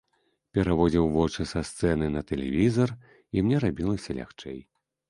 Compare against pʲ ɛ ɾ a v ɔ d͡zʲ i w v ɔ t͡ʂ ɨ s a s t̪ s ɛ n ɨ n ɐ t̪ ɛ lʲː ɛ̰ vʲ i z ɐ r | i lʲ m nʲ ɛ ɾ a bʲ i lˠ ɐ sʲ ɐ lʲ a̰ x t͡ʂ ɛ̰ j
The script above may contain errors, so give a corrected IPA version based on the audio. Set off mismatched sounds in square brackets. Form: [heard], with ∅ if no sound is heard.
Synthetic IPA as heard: pʲ ɛ ɾ a v ɔ d͡zʲ i w v ɔ t͡ʂ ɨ s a s t̪ s ɛ n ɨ n ɐ t̪ ɛ [lʲ] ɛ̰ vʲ i z ɐ r | i [∅] m nʲ ɛ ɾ a bʲ i lˠ ɐ sʲ ɐ lʲ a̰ x t͡ʂ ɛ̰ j